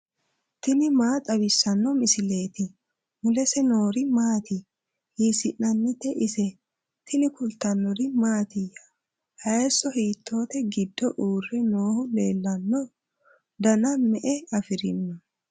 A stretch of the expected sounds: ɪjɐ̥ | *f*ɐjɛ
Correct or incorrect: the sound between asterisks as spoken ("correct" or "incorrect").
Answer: incorrect